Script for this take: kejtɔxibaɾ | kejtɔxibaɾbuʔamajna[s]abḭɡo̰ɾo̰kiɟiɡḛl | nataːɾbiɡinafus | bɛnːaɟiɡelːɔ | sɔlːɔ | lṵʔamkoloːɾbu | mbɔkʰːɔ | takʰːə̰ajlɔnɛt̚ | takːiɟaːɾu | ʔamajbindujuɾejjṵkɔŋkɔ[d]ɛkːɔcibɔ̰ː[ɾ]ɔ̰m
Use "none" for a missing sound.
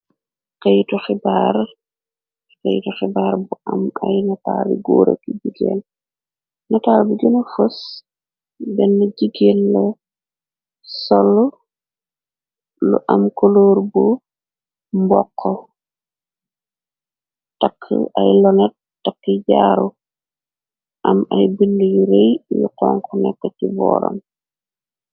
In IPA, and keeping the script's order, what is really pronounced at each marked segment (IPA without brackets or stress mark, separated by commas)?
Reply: t, n, ɾ